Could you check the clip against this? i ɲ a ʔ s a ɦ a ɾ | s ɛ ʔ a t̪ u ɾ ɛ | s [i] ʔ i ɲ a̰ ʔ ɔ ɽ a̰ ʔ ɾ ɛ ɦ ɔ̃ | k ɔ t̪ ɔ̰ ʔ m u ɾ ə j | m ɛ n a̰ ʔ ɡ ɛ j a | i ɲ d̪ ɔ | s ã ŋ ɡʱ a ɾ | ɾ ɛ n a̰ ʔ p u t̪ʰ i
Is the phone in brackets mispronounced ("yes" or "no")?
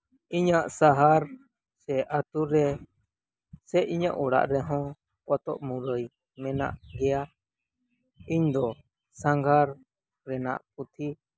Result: yes